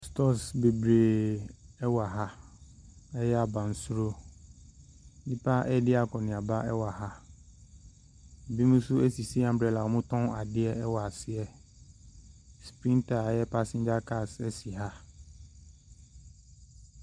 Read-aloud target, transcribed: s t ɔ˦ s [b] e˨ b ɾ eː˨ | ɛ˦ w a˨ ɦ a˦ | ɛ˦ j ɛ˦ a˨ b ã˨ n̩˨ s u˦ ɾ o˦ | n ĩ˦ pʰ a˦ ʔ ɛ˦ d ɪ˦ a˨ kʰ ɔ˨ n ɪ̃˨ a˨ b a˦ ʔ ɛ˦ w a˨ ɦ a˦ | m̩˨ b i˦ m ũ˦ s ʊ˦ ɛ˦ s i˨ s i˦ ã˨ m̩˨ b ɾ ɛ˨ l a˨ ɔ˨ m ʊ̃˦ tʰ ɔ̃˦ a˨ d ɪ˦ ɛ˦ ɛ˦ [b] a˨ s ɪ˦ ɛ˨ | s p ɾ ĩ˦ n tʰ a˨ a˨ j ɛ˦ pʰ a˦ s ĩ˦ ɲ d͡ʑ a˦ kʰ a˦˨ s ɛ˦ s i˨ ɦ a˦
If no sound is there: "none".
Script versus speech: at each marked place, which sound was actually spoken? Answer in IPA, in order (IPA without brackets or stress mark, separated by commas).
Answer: b, w